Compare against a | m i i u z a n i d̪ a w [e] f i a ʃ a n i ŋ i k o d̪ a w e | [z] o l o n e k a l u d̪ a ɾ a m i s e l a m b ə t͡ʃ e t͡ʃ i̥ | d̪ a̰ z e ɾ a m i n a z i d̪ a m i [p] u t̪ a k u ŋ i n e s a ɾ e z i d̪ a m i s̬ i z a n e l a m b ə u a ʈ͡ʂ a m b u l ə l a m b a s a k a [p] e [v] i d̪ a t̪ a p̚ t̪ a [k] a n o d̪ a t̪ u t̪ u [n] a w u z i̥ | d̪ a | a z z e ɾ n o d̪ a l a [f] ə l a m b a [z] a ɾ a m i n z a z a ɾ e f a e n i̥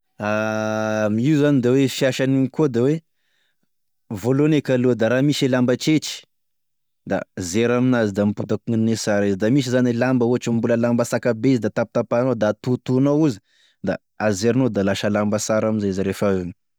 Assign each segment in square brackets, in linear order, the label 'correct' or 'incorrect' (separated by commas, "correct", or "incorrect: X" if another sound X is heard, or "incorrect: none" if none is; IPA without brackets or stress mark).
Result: correct, incorrect: v, correct, incorrect: b, incorrect: z, incorrect: p, correct, incorrect: ʃ, incorrect: s